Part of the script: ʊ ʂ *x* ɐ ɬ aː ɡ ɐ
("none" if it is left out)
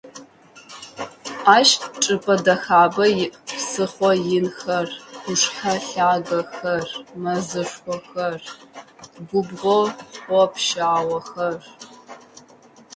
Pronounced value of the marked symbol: ħ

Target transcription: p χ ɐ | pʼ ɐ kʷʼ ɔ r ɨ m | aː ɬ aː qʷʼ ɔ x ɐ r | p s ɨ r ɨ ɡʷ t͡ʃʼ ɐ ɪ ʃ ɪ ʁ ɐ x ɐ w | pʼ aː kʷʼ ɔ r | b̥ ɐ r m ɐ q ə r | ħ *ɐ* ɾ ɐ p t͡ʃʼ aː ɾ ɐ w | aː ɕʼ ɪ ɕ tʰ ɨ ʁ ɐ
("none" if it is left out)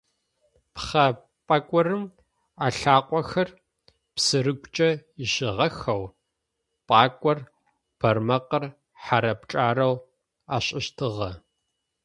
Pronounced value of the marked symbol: a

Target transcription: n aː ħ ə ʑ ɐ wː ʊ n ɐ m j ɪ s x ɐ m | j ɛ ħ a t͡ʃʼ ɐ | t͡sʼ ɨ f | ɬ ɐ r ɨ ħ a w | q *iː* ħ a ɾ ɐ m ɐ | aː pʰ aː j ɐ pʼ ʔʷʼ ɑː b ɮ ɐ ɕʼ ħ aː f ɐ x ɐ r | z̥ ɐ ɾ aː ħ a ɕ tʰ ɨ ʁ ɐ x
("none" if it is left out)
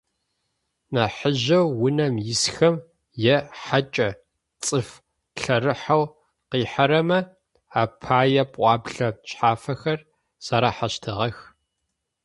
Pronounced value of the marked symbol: iː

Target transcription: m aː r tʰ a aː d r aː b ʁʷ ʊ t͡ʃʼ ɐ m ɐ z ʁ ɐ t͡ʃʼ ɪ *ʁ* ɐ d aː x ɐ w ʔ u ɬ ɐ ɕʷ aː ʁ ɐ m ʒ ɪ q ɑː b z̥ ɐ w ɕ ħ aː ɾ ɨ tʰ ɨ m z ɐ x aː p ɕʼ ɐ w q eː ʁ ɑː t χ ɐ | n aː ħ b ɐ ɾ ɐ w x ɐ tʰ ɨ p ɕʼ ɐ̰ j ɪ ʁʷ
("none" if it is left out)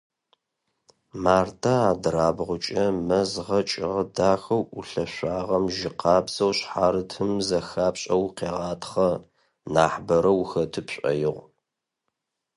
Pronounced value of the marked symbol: ʁ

